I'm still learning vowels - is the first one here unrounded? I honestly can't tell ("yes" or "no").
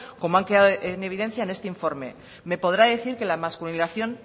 no